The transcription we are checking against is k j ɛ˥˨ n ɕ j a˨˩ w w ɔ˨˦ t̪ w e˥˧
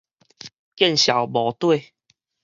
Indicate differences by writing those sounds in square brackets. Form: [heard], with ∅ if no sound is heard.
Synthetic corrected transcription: k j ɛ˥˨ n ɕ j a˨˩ w [b] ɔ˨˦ t̪ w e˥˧